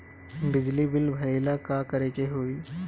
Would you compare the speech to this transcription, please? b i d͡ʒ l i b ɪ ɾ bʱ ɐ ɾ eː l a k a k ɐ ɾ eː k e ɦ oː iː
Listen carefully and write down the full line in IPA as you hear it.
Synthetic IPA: b ɪ d͡ʒ l i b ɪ l bʱ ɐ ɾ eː l a k a k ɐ ɾ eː k e ɦ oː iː